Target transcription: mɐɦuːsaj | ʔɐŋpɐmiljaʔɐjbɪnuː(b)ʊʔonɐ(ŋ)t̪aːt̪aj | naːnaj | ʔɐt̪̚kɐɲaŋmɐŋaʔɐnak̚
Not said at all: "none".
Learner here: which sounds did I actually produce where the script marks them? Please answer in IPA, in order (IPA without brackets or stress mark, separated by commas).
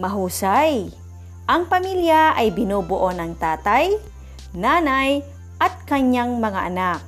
b, ŋ